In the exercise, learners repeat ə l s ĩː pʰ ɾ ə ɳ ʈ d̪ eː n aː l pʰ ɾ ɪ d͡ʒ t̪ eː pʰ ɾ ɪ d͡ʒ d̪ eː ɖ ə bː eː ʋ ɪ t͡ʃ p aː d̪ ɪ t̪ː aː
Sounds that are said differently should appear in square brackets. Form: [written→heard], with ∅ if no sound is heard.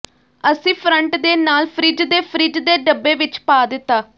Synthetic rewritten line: ə [l→∅] s ĩː pʰ ɾ ə ɳ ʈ d̪ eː n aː l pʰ ɾ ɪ d͡ʒ [t̪→d̪] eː pʰ ɾ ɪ d͡ʒ d̪ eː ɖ ə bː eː ʋ ɪ t͡ʃ p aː d̪ ɪ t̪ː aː